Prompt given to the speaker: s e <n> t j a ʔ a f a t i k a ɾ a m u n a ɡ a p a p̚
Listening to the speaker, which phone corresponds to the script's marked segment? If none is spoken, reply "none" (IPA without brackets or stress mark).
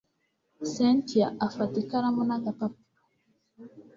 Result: n